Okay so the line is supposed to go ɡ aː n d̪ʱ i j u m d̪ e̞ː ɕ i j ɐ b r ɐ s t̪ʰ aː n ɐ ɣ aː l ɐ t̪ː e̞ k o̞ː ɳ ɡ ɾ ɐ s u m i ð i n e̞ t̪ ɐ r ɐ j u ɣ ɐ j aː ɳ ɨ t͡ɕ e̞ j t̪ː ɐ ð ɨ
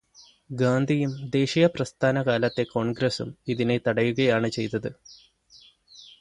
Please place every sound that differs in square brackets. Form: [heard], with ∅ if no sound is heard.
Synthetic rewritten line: ɡ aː n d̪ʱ i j u m d̪ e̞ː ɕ i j ɐ [p] r ɐ s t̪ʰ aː n ɐ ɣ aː l ɐ t̪ː e̞ k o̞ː ɳ ɡ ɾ ɐ s u m i ð i n e̞ t̪ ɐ [ɽ] ɐ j u ɣ ɐ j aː ɳ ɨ t͡ɕ e̞ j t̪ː ɐ ð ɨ